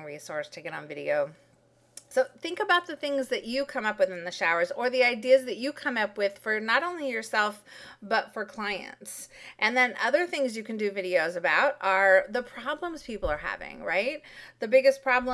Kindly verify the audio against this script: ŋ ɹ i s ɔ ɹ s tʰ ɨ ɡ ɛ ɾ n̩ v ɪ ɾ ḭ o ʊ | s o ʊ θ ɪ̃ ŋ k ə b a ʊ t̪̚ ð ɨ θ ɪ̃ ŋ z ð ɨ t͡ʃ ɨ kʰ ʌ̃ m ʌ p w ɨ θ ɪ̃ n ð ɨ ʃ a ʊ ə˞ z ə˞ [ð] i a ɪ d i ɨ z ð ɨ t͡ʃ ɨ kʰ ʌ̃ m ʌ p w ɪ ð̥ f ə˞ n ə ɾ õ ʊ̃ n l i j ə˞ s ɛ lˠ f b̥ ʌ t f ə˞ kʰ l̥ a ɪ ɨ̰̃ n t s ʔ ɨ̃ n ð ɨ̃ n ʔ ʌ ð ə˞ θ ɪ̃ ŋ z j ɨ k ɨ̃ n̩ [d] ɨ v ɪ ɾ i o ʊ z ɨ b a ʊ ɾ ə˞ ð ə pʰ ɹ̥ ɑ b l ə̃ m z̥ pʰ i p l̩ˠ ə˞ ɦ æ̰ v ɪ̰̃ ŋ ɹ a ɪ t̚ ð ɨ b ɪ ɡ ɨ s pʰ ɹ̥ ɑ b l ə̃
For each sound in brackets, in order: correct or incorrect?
correct, correct

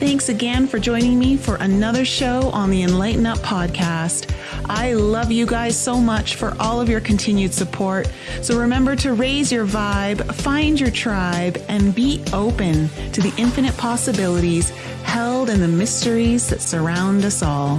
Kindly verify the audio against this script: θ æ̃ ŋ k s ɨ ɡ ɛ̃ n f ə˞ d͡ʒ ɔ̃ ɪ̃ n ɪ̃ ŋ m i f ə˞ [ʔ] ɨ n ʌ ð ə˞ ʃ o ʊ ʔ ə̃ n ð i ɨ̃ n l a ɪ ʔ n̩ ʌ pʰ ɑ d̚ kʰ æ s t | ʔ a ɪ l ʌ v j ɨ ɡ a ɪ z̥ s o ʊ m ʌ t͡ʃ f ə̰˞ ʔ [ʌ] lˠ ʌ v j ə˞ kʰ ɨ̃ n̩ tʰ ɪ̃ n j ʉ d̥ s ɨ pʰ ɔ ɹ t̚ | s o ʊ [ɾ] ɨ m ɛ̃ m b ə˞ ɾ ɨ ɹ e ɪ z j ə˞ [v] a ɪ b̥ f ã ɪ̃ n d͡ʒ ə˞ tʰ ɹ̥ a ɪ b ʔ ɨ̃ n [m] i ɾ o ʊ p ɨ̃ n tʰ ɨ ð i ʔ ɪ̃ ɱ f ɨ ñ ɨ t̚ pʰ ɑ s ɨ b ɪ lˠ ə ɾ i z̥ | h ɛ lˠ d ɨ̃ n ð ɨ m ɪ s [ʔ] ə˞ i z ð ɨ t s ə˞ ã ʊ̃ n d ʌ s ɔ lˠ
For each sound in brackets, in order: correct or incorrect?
correct, incorrect, incorrect, correct, incorrect, incorrect

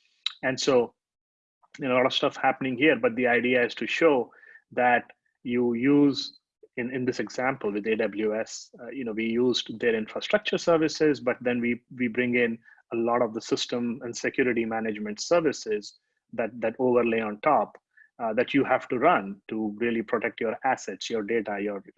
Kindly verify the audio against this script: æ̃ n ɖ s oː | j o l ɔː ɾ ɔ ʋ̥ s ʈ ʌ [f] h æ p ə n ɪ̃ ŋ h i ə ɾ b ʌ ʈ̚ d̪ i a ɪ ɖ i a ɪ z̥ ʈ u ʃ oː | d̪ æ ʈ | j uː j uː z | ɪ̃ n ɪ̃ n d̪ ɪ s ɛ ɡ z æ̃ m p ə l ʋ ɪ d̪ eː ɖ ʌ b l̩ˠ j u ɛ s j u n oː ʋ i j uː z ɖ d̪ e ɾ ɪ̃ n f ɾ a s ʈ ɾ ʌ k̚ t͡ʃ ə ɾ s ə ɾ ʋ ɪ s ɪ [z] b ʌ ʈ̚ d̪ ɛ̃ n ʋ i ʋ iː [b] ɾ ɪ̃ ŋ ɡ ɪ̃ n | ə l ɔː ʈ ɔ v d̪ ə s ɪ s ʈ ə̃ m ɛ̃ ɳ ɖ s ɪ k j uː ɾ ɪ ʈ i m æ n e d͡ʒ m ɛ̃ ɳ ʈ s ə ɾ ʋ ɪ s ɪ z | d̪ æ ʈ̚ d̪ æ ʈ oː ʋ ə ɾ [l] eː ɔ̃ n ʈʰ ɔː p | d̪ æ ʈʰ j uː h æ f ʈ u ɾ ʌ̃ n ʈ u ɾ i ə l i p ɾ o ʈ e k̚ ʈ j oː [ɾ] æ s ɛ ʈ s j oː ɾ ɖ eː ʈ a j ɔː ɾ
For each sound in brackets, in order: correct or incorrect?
correct, correct, correct, correct, correct

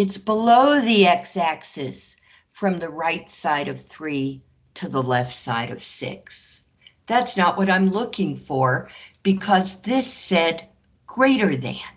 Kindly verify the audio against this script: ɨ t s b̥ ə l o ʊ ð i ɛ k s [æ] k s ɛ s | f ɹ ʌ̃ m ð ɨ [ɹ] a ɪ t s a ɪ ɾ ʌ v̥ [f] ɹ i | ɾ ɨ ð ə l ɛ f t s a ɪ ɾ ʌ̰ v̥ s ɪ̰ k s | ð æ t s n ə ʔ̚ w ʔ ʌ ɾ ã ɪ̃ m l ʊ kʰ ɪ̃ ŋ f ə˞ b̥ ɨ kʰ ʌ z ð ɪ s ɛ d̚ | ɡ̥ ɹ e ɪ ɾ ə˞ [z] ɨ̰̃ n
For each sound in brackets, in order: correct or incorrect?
correct, correct, incorrect, incorrect

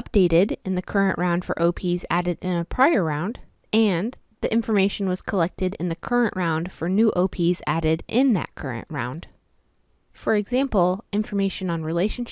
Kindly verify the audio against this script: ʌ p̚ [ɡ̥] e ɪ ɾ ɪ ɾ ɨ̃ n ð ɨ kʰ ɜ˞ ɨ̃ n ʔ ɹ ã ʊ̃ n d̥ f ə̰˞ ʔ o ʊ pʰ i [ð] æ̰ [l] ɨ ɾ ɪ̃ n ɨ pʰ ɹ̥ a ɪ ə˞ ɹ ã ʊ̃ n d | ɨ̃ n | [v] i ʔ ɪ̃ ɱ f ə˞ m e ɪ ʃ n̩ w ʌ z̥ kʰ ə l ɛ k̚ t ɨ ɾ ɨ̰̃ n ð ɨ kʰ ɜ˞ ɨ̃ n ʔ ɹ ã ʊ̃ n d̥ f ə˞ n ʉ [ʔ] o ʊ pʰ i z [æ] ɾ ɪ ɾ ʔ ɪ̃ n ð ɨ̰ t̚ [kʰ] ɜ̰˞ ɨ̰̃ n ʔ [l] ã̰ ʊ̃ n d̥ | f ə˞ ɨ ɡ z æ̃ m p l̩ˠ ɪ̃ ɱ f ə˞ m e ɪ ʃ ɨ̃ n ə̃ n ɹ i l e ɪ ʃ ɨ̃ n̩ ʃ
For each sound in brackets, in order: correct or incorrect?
incorrect, incorrect, incorrect, incorrect, correct, correct, correct, incorrect

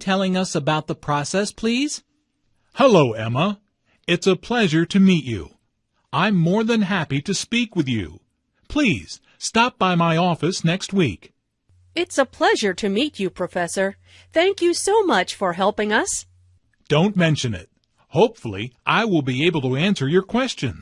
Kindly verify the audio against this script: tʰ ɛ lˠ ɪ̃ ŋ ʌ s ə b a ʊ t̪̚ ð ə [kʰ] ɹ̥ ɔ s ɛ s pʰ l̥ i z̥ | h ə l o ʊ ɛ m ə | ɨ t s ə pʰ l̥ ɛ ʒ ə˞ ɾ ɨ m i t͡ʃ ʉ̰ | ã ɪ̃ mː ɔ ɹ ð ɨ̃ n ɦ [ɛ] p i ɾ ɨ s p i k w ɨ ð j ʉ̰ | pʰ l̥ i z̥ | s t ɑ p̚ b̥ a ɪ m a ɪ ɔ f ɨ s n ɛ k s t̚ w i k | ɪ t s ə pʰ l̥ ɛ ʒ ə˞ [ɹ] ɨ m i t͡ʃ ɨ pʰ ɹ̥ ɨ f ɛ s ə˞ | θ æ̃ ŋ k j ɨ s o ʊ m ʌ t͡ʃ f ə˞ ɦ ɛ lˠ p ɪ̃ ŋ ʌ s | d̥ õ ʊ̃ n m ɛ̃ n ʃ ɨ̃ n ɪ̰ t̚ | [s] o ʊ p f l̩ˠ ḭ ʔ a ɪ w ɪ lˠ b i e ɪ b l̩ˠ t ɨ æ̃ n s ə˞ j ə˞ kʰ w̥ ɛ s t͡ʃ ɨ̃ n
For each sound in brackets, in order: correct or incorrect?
incorrect, incorrect, incorrect, incorrect

